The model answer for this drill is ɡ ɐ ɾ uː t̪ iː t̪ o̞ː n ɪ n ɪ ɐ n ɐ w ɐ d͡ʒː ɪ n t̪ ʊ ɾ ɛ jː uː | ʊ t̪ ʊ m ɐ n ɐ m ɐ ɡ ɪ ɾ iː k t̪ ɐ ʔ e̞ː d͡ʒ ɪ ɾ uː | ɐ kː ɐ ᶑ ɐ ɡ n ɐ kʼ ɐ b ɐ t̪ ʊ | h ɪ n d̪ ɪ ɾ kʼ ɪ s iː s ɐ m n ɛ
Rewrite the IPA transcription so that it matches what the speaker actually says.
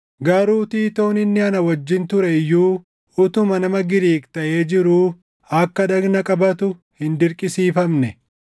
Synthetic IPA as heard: ɡ ɐ ɾ uː t̪ iː t̪ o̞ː n ɪ nː ɪ ɐ n ɐ w ɐ d͡ʒː ɪ n t̪ ʊ ɾ ɛ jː uː | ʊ t̪ ʊ m ɐ n ɐ m ɐ ɡ ɪ ɾ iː k t̪ ɐ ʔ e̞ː d͡ʒ ɪ ɾ uː | ɐ kː ɐ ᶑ ɐ ɡ n ɐ kʼ ɐ b ɐ t̪ ʊ | h ɪ n d̪ ɪ ɾ kʼ ɪ s iː f ɐ m n ɛ